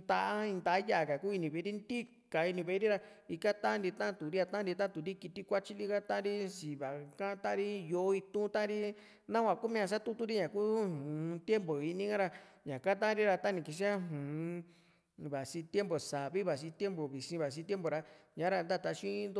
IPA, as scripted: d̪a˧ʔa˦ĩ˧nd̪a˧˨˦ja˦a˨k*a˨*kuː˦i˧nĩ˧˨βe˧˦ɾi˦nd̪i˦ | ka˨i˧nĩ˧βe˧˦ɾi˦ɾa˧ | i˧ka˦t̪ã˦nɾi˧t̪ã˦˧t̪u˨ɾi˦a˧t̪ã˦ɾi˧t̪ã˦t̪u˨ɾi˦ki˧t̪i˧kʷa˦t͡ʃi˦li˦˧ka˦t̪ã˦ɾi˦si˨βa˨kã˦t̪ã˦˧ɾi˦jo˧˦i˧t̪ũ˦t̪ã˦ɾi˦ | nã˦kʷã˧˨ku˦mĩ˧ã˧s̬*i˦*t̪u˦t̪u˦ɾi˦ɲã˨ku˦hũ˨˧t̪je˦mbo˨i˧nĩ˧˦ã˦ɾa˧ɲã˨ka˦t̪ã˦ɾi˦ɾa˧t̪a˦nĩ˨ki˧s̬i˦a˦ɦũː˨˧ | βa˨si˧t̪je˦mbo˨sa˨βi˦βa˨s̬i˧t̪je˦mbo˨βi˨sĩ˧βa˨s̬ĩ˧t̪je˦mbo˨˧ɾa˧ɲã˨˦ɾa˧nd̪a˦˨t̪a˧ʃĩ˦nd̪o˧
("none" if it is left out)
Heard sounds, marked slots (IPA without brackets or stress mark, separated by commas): a˨, a˦